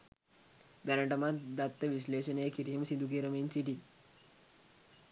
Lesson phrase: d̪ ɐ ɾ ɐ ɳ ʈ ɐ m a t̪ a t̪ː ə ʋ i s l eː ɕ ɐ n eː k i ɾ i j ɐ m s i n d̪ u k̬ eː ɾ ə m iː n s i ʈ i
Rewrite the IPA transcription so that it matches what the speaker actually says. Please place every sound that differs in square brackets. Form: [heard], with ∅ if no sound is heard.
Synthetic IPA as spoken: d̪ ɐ ɾ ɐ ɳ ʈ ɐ m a [d̪] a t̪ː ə ʋ i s l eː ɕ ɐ n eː k i ɾ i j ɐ m s i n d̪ u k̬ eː ɾ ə m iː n s i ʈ i